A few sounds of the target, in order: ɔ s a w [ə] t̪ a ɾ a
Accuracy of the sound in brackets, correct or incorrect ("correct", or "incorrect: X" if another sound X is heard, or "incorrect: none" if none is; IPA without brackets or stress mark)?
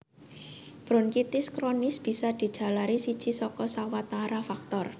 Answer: incorrect: a